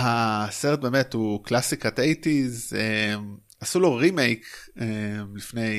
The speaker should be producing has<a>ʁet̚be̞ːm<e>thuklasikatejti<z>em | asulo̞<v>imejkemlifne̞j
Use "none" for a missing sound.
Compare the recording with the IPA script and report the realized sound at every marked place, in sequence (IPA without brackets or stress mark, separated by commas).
e, e, z, ʁ